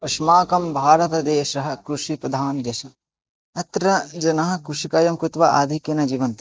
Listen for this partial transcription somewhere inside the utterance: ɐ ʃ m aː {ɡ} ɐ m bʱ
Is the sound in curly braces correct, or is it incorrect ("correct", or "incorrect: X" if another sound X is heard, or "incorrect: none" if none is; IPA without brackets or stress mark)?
incorrect: k